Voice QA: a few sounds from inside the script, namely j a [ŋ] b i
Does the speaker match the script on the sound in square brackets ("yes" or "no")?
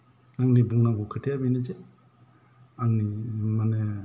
no